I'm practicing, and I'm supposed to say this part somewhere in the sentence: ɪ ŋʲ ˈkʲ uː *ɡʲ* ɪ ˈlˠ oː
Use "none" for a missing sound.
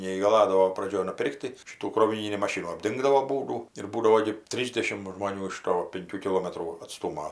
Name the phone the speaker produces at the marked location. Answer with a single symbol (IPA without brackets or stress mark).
kʲ